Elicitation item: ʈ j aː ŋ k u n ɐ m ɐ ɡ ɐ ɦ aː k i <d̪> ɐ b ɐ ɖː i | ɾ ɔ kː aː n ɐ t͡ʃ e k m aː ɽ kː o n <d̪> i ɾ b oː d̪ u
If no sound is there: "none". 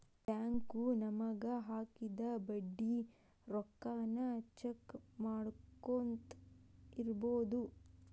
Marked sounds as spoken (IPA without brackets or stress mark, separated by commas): d̪, t̪